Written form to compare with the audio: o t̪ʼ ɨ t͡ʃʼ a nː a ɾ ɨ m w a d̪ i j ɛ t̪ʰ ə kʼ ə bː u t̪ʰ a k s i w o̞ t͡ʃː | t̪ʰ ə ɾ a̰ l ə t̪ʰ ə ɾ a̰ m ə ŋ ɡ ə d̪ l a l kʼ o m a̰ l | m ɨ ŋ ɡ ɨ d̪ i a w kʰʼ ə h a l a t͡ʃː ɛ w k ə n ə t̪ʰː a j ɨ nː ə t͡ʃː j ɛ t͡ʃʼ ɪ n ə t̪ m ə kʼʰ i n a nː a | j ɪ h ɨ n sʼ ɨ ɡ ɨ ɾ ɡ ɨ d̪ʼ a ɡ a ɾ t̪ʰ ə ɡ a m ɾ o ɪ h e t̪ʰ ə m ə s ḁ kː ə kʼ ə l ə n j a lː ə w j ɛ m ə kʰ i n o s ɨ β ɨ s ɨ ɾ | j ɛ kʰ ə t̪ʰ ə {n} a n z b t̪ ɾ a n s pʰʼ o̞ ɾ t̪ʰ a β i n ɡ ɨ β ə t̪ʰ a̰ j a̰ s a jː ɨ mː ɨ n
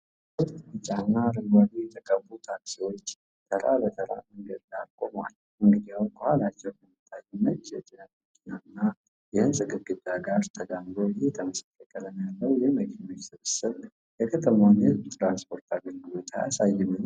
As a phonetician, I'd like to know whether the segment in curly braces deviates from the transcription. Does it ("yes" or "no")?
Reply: yes